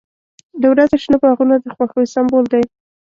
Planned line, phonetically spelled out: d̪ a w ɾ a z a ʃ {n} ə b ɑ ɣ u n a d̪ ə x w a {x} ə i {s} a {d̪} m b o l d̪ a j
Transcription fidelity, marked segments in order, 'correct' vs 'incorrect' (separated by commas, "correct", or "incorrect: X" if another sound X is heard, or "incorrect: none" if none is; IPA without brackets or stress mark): correct, correct, correct, incorrect: none